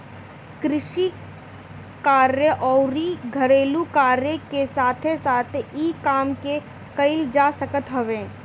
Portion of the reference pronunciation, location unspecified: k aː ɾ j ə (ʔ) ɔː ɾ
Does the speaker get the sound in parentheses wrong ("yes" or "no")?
no